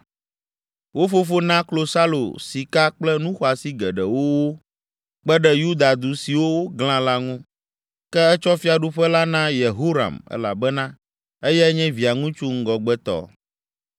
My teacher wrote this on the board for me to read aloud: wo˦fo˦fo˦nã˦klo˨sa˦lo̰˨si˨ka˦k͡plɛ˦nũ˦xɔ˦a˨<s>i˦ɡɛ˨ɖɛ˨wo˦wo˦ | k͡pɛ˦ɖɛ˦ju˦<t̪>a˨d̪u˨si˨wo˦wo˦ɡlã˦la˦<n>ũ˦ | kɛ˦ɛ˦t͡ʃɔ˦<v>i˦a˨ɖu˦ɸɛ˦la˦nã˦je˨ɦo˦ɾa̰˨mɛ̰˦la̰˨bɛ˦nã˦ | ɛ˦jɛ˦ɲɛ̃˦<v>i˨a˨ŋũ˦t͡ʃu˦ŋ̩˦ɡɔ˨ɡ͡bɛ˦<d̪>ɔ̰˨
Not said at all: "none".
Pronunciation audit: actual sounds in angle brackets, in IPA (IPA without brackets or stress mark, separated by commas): s, d̪, ŋ, f, v, t̪